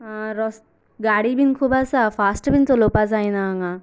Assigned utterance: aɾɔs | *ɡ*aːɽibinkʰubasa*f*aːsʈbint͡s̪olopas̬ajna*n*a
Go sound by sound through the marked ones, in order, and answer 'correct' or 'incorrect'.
correct, correct, incorrect: ŋ

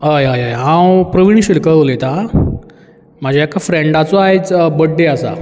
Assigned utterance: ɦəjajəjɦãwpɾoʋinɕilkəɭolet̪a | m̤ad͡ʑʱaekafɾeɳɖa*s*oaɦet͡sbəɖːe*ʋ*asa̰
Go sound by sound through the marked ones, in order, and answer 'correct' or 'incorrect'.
incorrect: t͡s, incorrect: none

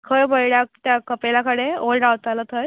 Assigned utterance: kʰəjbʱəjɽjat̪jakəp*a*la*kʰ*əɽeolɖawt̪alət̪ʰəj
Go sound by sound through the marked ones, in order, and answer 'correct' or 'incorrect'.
incorrect: e, incorrect: k

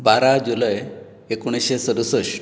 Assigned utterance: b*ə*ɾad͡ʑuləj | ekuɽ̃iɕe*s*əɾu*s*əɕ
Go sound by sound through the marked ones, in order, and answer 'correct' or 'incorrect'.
incorrect: a, correct, correct

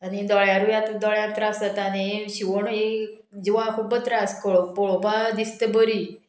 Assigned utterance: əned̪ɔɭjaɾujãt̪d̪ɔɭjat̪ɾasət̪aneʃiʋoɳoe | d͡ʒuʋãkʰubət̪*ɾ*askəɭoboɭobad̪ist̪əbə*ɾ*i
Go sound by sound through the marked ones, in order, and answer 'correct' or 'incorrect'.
correct, correct

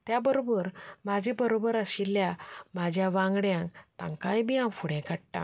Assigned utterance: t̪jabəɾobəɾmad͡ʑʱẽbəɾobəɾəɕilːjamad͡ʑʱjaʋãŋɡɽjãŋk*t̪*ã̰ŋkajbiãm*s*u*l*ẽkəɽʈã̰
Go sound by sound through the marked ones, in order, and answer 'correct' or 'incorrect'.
correct, incorrect: f, incorrect: ɽ

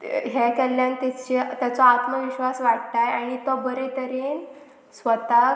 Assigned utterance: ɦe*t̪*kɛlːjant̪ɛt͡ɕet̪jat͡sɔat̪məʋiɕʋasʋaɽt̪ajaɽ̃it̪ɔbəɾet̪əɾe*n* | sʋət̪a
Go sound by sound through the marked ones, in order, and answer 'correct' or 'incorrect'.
incorrect: none, correct

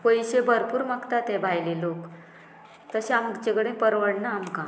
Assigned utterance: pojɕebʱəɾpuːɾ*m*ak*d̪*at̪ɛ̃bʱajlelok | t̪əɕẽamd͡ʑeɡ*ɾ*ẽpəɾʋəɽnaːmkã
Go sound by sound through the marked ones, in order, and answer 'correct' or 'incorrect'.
correct, incorrect: t̪, incorrect: ɽ

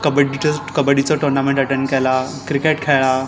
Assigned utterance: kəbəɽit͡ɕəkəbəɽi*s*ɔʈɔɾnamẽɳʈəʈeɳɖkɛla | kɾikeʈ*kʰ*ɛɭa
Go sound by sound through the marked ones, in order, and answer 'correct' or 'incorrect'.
incorrect: t͡s, correct

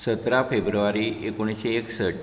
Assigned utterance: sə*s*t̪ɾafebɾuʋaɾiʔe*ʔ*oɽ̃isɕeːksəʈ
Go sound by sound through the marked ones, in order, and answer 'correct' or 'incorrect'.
incorrect: none, incorrect: k

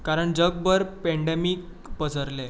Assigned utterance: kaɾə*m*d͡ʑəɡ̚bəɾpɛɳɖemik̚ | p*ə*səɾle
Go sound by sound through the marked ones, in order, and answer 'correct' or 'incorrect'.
incorrect: ɳ, correct

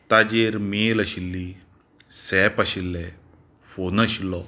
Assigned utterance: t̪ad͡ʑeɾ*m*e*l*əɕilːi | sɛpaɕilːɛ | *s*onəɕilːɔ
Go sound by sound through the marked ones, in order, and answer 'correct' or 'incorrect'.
correct, correct, incorrect: f

